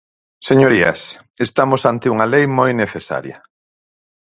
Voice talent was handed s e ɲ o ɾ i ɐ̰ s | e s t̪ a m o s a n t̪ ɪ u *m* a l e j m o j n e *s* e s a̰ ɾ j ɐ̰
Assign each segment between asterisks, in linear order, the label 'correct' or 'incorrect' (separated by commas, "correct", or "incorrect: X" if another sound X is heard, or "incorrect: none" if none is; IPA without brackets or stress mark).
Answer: incorrect: ŋ, incorrect: θ